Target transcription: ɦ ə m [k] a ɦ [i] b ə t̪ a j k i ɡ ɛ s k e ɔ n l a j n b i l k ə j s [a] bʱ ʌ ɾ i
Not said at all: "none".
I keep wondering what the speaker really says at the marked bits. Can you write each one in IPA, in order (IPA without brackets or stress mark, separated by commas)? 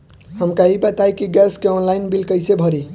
k, i, e